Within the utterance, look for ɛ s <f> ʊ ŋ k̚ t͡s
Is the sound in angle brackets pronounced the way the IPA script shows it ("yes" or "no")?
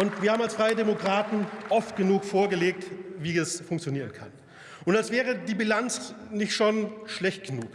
yes